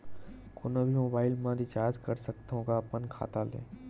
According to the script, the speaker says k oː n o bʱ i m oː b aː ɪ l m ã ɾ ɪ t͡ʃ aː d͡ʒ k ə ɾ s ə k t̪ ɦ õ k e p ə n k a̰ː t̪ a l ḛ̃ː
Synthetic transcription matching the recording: k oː n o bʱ i m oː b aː ɪ l m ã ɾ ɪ t͡ʃ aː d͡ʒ k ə ɾ s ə k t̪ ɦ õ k a p ə n kʰ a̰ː t̪ a l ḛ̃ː